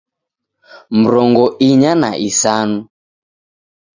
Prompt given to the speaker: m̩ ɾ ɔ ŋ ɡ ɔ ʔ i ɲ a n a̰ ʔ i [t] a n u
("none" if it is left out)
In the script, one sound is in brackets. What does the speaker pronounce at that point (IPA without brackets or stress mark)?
s